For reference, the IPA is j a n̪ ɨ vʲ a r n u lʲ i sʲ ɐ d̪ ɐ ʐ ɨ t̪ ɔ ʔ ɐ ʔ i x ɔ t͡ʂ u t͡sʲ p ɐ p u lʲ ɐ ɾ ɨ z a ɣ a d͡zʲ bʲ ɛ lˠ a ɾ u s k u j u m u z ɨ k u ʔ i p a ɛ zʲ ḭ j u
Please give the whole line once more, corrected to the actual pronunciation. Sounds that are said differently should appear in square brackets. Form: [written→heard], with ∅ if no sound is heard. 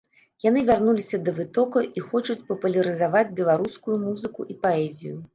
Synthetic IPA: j a n̪ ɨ vʲ a r n u lʲ i sʲ ɐ d̪ ɐ [ʐ→v] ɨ t̪ ɔ [ʔ→k] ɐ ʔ i x ɔ t͡ʂ u t͡sʲ p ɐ p u lʲ ɐ ɾ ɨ z a [ɣ→v] a d͡zʲ bʲ ɛ lˠ a ɾ u s k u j u m u z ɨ k u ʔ i p a ɛ zʲ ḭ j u